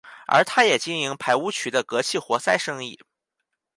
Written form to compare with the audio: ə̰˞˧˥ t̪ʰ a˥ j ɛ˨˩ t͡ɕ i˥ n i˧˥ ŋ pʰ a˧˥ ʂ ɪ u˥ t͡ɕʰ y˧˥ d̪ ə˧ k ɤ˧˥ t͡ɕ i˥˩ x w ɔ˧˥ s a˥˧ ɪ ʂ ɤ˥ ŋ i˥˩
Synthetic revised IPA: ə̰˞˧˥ t̪ʰ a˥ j ɛ˨˩ t͡ɕ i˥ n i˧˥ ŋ pʰ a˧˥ ɪ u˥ t͡ɕʰ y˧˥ d̪ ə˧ k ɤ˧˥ t͡ɕʰ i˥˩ x w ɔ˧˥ s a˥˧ ɪ ʂ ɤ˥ ŋ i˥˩